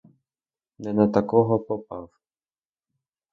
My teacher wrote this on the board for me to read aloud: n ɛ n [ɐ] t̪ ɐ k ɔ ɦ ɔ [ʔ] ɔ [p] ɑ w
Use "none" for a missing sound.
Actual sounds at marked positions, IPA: ɐ, p, p

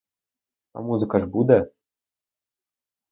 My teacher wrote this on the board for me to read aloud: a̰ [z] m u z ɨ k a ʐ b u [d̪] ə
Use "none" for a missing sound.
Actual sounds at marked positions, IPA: none, d̪

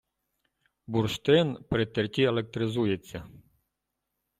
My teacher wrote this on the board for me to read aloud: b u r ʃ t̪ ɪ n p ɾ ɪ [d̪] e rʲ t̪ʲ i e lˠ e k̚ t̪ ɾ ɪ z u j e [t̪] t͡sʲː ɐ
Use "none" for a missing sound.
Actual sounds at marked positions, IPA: t̪, none

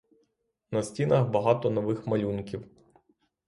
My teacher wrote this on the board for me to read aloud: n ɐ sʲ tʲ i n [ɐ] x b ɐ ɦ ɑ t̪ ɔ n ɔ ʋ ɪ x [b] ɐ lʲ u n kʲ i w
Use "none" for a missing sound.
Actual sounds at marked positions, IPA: ɐ, m

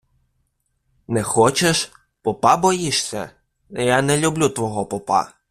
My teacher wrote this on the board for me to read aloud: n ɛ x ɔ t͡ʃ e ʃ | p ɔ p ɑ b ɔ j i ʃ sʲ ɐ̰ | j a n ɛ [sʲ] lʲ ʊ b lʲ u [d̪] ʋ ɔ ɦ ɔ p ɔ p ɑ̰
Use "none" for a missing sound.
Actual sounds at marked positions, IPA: none, t̪

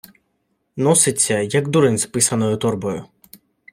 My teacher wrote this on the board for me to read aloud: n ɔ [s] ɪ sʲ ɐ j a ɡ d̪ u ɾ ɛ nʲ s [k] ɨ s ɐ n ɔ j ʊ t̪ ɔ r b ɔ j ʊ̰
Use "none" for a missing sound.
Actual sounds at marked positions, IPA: s, p

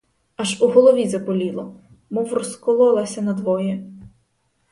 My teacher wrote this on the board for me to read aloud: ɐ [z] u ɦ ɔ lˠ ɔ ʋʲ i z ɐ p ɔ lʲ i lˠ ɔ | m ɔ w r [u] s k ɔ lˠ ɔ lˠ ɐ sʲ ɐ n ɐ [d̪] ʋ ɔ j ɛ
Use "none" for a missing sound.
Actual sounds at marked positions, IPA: ʒ, ɔ, d̪

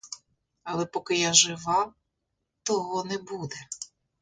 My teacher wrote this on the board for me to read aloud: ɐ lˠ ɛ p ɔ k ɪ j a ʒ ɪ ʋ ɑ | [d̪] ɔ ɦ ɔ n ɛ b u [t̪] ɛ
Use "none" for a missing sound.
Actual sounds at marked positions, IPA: t̪, d̪

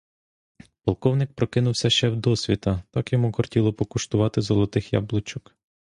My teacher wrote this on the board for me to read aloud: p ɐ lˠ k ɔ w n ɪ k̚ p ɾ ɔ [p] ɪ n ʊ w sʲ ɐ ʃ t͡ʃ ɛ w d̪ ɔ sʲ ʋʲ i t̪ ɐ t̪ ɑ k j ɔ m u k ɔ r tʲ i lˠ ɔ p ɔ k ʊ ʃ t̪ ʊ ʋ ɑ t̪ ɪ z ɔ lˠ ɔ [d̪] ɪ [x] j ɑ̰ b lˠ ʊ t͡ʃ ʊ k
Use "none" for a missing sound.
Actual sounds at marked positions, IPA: k, t̪, x

